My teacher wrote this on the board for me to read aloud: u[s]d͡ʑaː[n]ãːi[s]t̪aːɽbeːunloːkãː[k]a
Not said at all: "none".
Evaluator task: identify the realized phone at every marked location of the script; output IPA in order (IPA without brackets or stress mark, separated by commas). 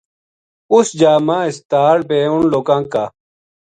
s, m, s, k